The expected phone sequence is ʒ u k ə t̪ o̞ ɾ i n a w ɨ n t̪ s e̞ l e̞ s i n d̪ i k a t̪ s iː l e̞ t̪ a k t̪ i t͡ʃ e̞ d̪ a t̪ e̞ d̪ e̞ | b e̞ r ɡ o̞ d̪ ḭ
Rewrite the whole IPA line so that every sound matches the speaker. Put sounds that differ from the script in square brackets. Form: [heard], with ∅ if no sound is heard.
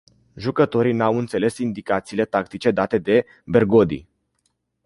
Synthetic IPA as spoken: ʒ u k ə t̪ o̞ ɾ i n a w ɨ n t̪ s e̞ l e̞ s i n d̪ i k a t̪ s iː l e̞ t̪ a k t̪ i t͡ʃ e̞ d̪ a t̪ e̞ d̪ e̞ | b e̞ r ɡ o̞ d̪ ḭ